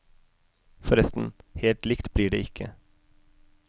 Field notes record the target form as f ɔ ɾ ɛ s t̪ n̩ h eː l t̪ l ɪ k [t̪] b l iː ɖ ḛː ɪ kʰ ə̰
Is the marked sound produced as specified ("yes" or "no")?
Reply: yes